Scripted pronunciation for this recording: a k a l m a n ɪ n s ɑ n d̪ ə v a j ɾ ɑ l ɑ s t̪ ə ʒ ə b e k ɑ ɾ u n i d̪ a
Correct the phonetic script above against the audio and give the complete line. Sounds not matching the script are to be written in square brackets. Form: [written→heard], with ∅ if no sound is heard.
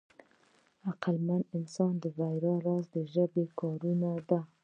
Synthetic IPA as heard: a [k→q] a l m a n ɪ n s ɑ n d̪ ə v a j ɾ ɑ [l→ɾ] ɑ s [t̪→d̪] ə ʒ ə b e k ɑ ɾ u n [i→a] d̪ a